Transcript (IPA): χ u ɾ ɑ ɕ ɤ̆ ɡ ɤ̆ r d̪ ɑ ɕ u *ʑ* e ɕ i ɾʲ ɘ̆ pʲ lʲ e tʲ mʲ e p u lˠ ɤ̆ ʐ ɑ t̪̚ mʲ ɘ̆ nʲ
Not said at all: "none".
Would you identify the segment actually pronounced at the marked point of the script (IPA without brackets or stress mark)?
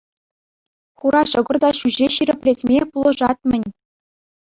ʑ